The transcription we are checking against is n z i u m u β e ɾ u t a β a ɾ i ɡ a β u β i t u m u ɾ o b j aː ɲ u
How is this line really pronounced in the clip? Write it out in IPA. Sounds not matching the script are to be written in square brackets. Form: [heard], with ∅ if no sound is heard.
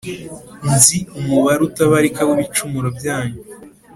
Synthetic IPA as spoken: n z i u m u β [a] ɾ u t a β a ɾ i [k] a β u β i [t͡ʃ] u m u ɾ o b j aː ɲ u